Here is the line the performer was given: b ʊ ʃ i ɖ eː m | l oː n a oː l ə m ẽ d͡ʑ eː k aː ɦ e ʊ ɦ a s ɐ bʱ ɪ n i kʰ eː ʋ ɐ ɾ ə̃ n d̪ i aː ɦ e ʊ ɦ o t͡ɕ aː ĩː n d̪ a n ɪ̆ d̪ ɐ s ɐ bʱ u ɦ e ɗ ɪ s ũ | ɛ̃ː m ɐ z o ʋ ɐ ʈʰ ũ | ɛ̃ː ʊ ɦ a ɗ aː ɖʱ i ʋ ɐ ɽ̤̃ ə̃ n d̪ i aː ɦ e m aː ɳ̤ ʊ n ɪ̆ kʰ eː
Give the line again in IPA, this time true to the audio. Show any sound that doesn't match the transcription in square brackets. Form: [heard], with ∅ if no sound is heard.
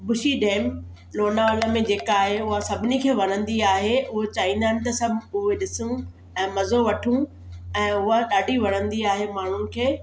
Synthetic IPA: b ʊ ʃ i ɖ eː m | l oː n a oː l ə m ẽ d͡ʑ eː k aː ɦ e ʊ ɦ a s ɐ bʱ ɪ n i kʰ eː ʋ ɐ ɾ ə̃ n d̪ i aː ɦ e ʊ ɦ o t͡ɕ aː ĩː n d̪ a n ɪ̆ [t̪] ɐ s ɐ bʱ [ʊ] ɦ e ɗ ɪ s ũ | ɛ̃ː m ɐ z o ʋ ɐ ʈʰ ũ | ɛ̃ː ʊ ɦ a ɗ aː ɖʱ i ʋ ɐ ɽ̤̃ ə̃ n d̪ i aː ɦ e m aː ɳ̤ ʊ n ɪ̆ kʰ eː

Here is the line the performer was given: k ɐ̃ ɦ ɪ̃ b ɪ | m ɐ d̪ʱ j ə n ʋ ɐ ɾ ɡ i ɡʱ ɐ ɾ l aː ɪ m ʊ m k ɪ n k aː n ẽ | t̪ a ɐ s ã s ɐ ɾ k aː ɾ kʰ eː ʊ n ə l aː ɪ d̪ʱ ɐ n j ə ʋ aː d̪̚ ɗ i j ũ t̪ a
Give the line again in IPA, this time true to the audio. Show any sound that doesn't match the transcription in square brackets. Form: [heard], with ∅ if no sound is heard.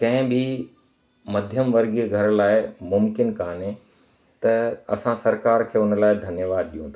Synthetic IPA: k ɐ̃ ɦ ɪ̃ b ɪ | m ɐ d̪ʱ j ə [m] ʋ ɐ ɾ ɡ i ɡʱ ɐ ɾ l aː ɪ m ʊ m k ɪ n k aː n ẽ | t̪ [ɐ] ɐ s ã s ɐ ɾ k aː ɾ kʰ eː ʊ n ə l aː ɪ d̪ʱ ɐ n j ə ʋ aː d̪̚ ɗ i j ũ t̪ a

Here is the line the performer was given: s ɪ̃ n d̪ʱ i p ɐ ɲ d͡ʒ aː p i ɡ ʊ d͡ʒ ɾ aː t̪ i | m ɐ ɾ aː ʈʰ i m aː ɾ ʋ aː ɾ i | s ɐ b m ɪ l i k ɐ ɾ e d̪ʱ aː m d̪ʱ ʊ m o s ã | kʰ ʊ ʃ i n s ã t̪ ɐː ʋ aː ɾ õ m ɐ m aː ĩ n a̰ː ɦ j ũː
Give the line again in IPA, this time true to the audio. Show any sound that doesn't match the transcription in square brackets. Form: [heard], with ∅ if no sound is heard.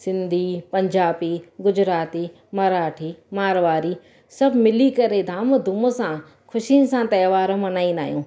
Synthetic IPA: s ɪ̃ n d̪ʱ i p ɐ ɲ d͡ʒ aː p i ɡ ʊ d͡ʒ ɾ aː t̪ i | m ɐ ɾ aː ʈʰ i m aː ɾ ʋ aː ɾ i | s ɐ b m ɪ l i k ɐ ɾ e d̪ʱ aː m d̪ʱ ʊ m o s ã | kʰ ʊ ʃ i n s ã t̪ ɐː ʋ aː ɾ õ m ɐ [n] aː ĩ n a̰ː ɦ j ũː

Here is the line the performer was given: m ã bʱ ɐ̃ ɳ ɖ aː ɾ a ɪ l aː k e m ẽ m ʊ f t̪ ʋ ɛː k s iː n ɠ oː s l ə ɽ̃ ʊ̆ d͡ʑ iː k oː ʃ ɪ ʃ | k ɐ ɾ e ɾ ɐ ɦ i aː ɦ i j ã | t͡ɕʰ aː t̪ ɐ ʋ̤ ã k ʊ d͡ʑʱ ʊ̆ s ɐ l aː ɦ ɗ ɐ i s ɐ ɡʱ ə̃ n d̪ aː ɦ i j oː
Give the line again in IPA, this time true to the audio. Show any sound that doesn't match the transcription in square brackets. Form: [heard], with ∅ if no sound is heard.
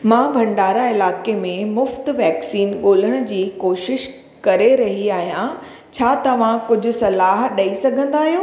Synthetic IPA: m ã bʱ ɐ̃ ɳ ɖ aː ɾ a ɪ l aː k e m ẽ m ʊ f t̪ ʋ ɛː k s iː n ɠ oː [∅] l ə ɽ̃ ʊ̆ d͡ʑ iː k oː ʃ ɪ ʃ | k ɐ ɾ e ɾ ɐ ɦ i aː ɦ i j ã | t͡ɕʰ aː t̪ ɐ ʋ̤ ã k ʊ d͡ʑʱ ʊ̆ s ɐ l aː ɦ ɗ ɐ i s ɐ ɡʱ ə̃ n d̪ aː ɦ i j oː

